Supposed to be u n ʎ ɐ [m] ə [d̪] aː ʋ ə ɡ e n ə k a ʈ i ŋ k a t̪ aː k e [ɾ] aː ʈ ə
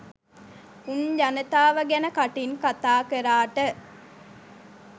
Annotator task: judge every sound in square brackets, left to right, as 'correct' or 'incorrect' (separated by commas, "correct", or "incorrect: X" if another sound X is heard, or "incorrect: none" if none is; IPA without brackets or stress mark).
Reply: incorrect: n, incorrect: t̪, correct